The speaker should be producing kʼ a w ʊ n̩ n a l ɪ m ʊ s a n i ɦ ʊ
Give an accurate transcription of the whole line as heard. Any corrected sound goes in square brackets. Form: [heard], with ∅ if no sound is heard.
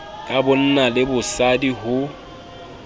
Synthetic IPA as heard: kʼ a [b] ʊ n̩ n a l ɪ [b] ʊ s a [d] i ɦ ʊ

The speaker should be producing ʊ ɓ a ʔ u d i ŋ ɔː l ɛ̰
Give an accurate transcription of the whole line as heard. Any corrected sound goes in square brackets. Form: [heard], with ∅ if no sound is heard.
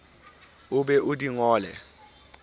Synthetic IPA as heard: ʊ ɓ [ɛ] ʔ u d i ŋ ɔː l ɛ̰

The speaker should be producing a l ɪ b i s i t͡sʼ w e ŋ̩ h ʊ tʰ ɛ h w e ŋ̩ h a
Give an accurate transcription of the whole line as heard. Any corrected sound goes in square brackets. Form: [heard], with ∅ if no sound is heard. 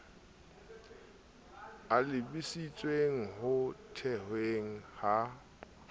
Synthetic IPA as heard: a l ɪ b i s i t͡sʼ w e ŋ̩ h ʊ tʰ ɛ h w e ŋ̩ h a

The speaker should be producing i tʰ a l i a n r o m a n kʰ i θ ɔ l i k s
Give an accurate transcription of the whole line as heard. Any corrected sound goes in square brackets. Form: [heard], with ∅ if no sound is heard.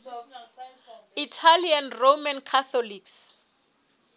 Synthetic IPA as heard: i tʰ a l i a n r o m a n kʰ [a] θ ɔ l i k s

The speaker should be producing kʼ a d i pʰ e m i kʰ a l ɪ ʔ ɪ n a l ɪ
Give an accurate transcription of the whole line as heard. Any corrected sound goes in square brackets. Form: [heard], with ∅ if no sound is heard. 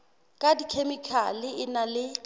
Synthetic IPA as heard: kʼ a d i [kʰ] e m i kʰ a l ɪ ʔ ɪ n a l ɪ

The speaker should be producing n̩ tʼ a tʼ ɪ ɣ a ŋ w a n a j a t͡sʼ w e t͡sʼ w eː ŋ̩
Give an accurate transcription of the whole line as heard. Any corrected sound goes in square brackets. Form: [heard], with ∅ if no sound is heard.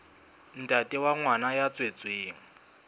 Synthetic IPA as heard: n̩ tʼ a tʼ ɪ [w] a ŋ w a n a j a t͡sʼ w e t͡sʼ w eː ŋ̩

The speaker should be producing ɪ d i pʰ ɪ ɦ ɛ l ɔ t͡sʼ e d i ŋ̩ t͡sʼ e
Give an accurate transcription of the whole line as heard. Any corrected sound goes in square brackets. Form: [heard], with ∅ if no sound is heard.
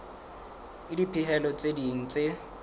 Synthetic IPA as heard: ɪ d i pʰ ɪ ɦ ɛ l ɔ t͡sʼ e d i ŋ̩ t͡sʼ e

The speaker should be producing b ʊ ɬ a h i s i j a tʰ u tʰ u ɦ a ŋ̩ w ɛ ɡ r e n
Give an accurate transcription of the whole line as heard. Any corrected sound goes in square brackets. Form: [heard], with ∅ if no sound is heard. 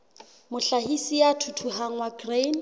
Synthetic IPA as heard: [m] ʊ ɬ a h i s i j a tʰ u tʰ u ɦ a ŋ̩ w [a] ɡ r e n

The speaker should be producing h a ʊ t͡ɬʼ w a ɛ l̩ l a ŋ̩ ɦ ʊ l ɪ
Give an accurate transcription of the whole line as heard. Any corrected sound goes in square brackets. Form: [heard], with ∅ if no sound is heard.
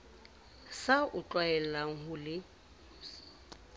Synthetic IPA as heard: [s] a ʊ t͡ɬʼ w a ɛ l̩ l a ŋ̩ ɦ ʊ l ɪ

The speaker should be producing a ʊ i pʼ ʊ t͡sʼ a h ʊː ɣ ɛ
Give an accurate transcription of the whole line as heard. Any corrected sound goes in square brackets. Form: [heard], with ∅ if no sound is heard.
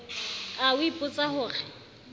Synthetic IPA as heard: a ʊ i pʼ ʊ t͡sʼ a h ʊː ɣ ɛ

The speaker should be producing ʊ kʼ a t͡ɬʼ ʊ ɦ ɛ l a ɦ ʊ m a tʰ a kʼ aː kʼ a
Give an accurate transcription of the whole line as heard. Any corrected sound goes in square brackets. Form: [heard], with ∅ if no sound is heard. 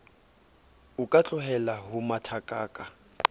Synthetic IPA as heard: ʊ kʼ a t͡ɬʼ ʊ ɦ ɛ l a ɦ ʊ m a tʰ a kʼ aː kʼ a

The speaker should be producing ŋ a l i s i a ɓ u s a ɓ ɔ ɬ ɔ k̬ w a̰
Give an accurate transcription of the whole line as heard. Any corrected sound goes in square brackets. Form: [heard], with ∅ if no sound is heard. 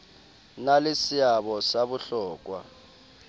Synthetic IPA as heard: [n] a l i s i a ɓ [ɔ] s a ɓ [u] ɬ [ɔː] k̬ w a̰

